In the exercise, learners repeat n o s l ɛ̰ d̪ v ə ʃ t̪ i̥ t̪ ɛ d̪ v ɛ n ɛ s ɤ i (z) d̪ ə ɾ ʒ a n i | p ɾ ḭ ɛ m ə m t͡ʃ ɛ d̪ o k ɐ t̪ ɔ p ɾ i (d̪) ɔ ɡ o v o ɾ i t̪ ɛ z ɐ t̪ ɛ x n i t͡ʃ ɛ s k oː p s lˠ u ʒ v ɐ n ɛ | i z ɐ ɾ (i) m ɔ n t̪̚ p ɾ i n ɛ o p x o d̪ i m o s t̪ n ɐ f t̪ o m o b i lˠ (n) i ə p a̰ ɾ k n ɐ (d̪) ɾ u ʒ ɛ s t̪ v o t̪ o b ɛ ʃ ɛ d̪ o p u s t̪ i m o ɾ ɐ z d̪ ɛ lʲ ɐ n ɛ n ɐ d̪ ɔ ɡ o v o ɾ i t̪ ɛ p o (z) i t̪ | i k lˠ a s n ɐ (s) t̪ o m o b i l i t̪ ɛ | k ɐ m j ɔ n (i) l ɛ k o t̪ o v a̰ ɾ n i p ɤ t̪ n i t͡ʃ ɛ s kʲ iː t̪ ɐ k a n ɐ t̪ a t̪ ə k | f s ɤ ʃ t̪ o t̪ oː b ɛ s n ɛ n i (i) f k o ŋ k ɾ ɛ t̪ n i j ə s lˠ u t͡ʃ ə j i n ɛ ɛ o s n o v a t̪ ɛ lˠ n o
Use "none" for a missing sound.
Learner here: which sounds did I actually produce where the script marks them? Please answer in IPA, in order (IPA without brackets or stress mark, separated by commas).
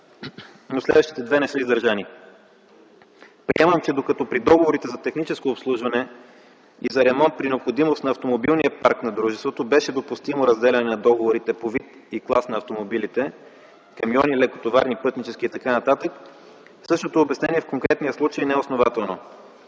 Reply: z, d̪, ɛ, n, d̪, v, f, i, ɛ